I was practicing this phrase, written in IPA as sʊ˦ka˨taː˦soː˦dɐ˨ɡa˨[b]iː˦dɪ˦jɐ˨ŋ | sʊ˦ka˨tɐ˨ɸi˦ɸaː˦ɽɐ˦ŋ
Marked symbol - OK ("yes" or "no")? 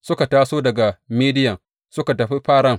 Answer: no